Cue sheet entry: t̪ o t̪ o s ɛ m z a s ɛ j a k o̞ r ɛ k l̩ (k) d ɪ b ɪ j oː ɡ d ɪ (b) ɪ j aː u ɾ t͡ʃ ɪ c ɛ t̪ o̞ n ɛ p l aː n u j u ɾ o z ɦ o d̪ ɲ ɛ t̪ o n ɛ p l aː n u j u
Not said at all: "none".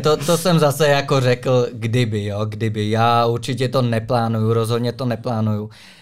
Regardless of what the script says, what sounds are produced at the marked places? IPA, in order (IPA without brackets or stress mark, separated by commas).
ɡ, b